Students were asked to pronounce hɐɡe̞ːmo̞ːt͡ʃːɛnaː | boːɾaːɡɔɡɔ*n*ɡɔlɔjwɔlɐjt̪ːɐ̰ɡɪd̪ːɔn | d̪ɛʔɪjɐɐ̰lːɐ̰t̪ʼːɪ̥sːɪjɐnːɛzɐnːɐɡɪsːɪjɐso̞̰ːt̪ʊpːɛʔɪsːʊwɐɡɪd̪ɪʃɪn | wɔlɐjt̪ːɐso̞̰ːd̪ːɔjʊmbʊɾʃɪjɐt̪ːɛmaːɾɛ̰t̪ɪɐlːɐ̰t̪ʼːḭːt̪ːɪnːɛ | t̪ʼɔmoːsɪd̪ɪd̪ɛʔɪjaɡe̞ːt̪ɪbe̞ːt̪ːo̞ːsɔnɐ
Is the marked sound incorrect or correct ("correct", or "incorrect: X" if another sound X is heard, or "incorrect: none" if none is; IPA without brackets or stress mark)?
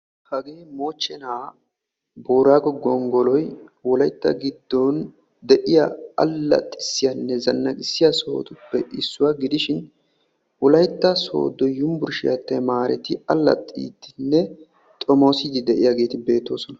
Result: incorrect: ŋ